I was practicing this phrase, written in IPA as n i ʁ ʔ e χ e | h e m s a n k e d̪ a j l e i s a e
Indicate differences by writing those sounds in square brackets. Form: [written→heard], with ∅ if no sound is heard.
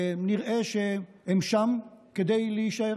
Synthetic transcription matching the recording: n i ʁ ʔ e [χ→ʃ] e | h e m [s→ʃ] a [n→m] k e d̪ [a→e] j l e i [s→ʃ] a e